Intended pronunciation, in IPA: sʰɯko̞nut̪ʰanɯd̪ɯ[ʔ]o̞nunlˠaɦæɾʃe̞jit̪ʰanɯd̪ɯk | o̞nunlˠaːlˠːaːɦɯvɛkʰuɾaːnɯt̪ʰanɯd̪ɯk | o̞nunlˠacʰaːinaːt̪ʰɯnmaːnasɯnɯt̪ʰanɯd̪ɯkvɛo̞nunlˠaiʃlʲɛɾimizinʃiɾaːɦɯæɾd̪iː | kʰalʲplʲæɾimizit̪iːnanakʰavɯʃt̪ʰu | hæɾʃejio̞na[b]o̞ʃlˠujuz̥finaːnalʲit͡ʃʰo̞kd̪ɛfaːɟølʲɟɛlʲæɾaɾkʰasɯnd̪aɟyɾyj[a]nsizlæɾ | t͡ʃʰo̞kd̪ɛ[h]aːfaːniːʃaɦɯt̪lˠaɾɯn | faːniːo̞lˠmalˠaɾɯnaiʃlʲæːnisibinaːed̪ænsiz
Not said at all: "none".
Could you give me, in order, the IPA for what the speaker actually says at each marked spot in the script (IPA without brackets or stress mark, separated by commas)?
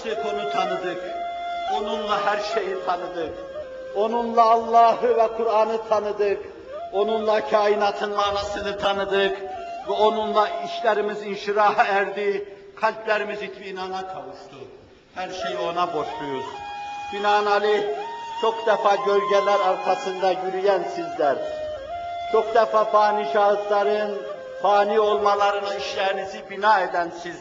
k, b, æ, f